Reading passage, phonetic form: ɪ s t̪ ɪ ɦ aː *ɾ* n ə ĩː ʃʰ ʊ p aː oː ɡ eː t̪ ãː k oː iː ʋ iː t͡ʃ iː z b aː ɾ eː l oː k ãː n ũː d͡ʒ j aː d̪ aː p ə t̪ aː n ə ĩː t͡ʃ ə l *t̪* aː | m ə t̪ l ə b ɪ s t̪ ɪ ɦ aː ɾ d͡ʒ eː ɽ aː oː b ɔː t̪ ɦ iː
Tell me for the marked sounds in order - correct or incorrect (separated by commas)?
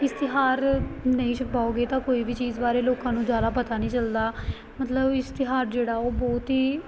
correct, incorrect